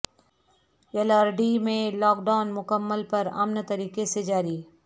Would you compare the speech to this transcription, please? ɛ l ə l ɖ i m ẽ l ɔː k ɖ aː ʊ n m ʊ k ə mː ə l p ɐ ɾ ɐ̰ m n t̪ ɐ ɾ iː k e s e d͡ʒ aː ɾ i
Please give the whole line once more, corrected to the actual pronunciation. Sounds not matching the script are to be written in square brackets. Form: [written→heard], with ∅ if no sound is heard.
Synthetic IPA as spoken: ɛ l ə [l→ɾ] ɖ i m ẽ l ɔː k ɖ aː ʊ n m ʊ k ə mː ə l p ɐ ɾ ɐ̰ m n t̪ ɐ ɾ iː k e s e d͡ʒ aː ɾ i